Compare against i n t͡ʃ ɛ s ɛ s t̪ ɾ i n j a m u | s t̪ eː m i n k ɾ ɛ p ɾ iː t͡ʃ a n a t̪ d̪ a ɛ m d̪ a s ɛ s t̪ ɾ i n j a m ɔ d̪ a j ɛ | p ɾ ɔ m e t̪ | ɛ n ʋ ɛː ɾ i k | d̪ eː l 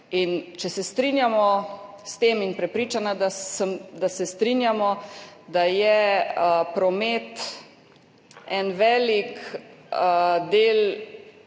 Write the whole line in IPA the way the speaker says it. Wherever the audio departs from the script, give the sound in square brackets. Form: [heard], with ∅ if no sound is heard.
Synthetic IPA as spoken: i n t͡ʃ ɛ s ɛ s t̪ ɾ i n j a m [ɔ] | s t̪ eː m i n [p] ɾ ɛ p ɾ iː t͡ʃ a n a [∅] d̪ a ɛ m d̪ a s ɛ s t̪ ɾ i n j a m ɔ d̪ a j ɛ | p ɾ ɔ m e t̪ | ɛ n ʋ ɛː [l] i k | d̪ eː l